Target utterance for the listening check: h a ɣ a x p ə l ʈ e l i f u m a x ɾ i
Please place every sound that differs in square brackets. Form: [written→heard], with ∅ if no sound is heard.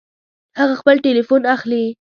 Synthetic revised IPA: h a ɣ a x p ə l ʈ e l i f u [m→n] a x [ɾ→l] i